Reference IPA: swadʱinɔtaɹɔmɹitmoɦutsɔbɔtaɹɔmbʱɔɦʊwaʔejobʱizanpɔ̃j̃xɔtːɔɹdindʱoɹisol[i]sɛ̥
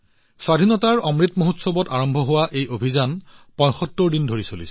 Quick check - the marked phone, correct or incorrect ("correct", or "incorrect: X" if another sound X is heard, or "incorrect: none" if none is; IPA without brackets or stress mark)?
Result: correct